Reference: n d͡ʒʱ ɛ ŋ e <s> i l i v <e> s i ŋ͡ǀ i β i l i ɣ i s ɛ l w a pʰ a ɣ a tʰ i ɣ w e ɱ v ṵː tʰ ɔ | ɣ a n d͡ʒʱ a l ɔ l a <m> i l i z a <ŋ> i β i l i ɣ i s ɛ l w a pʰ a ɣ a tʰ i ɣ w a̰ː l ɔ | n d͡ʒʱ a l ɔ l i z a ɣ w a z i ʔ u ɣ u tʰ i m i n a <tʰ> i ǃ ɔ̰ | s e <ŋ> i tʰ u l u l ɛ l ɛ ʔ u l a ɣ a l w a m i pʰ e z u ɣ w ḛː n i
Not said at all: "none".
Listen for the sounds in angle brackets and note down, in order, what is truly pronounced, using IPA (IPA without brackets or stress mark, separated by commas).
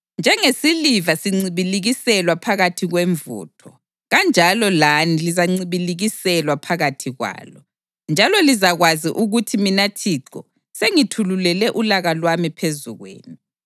s, a, n, ŋ͡ǀ, tʰ, ŋ